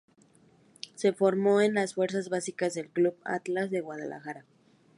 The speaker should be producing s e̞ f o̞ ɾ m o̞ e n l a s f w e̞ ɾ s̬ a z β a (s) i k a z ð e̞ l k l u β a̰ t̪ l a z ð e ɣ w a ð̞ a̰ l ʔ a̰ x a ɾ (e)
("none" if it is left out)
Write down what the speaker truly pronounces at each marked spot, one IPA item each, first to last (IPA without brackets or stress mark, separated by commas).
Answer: s, a